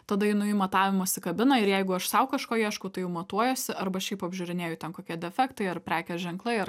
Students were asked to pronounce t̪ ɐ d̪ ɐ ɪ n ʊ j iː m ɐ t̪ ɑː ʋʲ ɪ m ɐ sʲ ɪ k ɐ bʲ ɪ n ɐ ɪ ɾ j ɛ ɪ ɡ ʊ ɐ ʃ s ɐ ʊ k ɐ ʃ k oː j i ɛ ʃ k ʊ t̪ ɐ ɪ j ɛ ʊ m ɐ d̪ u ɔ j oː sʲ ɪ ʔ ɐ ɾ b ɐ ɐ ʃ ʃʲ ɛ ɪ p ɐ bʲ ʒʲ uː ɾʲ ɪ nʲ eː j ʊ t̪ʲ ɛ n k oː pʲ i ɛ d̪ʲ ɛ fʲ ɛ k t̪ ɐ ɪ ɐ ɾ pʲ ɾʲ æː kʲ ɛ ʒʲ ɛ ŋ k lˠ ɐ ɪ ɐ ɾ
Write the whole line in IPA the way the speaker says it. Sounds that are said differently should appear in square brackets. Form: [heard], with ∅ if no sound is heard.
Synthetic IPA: t̪ ɐ d̪ ɐ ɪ n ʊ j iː m ɐ t̪ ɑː ʋʲ ɪ m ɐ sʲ ɪ k ɐ bʲ ɪ n ɐ ɪ ɾ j ɛ ɪ ɡ ʊ ɐ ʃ s ɐ ʊ k ɐ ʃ k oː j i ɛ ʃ k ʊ t̪ ɐ ɪ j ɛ ʊ m ɐ [t̪] u ɔ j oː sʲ ɪ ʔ ɐ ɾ b ɐ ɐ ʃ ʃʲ ɛ ɪ p ɐ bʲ ʒʲ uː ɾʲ ɪ nʲ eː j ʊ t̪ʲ ɛ n k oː [kʲ] i ɛ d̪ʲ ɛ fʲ ɛ k t̪ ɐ ɪ ɐ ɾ pʲ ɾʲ æː kʲ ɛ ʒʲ ɛ ŋ k lˠ ɐ ɪ ɐ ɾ